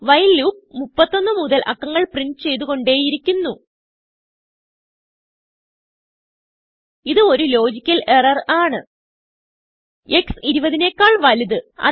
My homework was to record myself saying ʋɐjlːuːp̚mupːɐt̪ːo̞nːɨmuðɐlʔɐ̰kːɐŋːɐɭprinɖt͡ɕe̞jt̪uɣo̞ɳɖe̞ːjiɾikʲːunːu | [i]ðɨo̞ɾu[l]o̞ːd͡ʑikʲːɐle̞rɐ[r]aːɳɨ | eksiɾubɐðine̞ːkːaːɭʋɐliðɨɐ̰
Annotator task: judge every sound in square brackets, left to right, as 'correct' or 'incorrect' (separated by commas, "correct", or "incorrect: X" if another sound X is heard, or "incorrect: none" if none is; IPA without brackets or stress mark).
correct, correct, correct